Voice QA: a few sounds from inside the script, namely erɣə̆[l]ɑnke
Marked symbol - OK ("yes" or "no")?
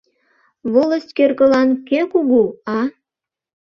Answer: yes